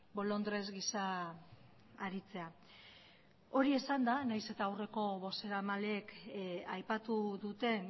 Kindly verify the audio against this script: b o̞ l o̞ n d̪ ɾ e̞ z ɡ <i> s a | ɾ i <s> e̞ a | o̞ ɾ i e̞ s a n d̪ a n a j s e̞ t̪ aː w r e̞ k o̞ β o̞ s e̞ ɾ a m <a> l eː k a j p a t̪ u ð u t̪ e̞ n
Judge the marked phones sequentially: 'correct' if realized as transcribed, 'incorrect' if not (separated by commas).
correct, incorrect, correct